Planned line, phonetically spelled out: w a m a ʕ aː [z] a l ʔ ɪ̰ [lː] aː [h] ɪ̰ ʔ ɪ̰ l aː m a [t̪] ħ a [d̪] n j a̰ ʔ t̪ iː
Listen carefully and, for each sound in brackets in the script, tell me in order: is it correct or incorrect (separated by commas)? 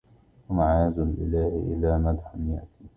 correct, incorrect, correct, incorrect, incorrect